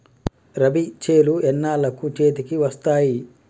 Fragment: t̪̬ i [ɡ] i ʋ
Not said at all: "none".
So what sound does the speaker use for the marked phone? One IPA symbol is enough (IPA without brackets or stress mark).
k